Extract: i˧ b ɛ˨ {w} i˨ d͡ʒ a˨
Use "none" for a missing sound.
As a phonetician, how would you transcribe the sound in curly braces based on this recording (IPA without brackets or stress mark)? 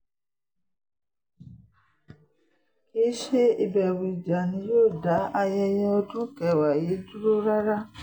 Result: w